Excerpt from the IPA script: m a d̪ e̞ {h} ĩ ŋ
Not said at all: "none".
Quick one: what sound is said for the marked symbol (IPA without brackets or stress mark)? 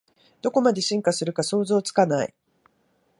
ɕ